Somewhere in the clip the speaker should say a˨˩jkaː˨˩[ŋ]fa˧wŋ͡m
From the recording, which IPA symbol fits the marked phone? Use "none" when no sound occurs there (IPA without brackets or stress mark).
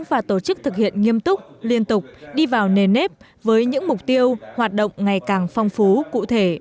ŋ